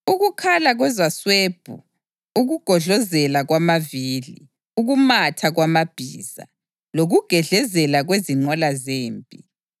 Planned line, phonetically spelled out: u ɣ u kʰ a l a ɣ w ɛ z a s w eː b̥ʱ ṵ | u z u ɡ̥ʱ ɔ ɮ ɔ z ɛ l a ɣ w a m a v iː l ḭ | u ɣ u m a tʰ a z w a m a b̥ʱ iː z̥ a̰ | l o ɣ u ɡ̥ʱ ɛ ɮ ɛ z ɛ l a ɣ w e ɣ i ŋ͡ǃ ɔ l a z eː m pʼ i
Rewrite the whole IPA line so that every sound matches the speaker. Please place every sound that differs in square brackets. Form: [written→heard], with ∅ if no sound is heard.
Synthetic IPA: u ɣ u kʰ a l a ɣ w ɛ z a s w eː b̥ʱ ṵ | u [z→ɣ] u ɡ̥ʱ ɔ ɮ ɔ z ɛ l a ɣ w a m a v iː l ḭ | u ɣ u m a tʰ a [z→ɣ] w a m a b̥ʱ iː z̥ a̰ | l o ɣ u ɡ̥ʱ ɛ ɮ ɛ z ɛ l a ɣ w e [ɣ→z] i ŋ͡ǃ ɔ l a z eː m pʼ i